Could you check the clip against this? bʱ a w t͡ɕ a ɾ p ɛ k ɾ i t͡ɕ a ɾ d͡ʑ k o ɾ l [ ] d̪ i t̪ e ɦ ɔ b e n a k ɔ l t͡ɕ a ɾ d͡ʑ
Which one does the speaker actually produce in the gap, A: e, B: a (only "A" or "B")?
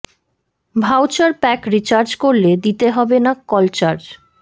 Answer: A